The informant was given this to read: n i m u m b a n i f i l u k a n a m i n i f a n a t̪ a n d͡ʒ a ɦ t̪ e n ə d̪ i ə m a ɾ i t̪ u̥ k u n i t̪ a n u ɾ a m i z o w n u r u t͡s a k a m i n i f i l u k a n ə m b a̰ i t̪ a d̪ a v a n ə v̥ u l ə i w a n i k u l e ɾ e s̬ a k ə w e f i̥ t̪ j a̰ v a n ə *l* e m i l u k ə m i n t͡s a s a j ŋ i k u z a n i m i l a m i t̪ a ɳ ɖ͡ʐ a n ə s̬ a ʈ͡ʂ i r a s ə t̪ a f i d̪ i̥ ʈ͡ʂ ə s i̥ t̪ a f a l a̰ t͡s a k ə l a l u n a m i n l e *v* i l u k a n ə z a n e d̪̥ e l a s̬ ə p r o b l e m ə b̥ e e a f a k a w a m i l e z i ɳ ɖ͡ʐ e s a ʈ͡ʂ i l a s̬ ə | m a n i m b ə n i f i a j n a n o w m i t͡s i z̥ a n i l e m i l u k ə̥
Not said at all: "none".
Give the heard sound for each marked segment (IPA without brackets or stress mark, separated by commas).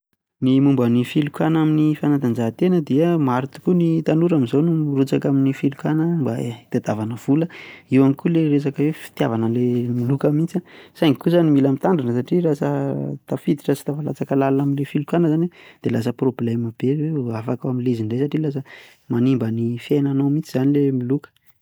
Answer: l, f